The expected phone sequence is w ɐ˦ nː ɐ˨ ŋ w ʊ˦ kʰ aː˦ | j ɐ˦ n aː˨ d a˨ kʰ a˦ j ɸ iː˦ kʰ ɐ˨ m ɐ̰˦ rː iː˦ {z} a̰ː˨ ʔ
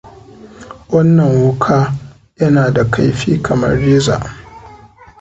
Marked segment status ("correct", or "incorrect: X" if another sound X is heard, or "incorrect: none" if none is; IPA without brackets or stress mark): correct